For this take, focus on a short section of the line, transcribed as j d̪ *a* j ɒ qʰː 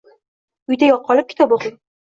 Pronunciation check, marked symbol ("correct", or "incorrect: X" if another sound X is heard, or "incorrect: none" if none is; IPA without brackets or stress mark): correct